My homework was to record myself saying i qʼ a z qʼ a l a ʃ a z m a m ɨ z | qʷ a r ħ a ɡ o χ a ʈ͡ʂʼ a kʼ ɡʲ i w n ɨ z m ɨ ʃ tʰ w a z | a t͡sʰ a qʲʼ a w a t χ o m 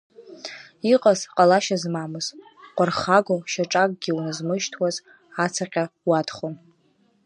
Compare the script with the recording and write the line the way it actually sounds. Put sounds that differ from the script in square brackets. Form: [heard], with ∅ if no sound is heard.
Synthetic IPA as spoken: i qʼ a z qʼ a l a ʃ a z m a m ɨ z | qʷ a r [χ] a ɡ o [ʃ] a ʈ͡ʂʼ a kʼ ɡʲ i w n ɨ z m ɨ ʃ tʰ w a z | a t͡sʰ a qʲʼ a w a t χ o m